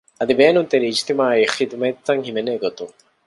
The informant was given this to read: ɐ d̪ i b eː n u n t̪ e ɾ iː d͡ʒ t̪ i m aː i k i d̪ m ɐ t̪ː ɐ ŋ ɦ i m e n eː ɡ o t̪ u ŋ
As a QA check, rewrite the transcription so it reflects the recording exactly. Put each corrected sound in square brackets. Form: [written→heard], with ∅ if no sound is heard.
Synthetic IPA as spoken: ɐ d̪ i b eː n u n t̪ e ɾ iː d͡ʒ t̪ i m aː i [k→x] i d̪ m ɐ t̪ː ɐ ŋ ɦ i m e n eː ɡ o t̪ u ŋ